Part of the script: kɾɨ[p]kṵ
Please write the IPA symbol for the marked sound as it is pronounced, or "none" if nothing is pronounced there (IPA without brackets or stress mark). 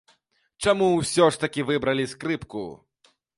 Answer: p